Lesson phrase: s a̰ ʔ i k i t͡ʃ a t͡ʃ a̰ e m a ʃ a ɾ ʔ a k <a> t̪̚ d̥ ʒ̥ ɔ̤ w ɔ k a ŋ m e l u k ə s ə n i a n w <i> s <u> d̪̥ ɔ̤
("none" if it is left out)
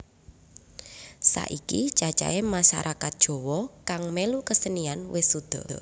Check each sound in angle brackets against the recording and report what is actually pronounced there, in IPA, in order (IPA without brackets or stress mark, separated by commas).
a, ɪ, u